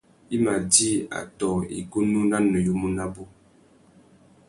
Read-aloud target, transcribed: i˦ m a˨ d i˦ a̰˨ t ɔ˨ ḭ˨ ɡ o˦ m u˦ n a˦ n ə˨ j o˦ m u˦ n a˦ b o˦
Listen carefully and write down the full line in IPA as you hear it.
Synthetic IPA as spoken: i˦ m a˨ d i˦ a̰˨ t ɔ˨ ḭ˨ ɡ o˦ n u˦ n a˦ n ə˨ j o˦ m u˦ n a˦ b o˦